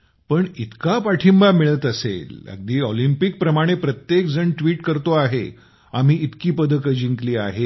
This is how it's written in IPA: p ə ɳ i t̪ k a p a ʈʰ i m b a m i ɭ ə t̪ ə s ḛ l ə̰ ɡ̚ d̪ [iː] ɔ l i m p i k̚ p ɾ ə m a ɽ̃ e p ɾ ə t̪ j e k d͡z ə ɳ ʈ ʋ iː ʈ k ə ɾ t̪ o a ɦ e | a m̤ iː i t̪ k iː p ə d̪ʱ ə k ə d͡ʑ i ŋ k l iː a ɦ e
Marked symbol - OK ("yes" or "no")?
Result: yes